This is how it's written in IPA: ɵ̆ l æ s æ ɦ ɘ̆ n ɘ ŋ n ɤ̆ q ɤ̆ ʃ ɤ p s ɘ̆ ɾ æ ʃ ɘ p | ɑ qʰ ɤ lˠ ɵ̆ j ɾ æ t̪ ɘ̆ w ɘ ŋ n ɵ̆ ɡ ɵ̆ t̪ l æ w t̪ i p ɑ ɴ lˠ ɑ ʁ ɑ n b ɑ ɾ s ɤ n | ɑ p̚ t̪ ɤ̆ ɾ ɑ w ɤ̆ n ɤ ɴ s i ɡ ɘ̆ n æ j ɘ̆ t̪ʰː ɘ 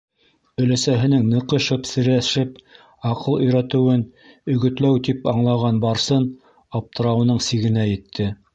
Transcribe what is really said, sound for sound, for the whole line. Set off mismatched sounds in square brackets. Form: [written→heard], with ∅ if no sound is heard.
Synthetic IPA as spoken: ɵ̆ l æ s æ ɦ ɘ̆ n ɘ ŋ n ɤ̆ q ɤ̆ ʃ ɤ p s ɘ̆ ɾ æ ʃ ɘ p | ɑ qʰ ɤ lˠ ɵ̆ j ɾ æ t̪ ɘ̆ w ɘ [ŋ→∅] n ɵ̆ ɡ ɵ̆ t̪ l æ w t̪ i p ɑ ɴ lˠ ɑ ʁ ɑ n b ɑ ɾ s ɤ n | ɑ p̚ t̪ ɤ̆ ɾ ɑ w ɤ̆ n ɤ ɴ s i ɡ ɘ̆ n æ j ɘ̆ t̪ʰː ɘ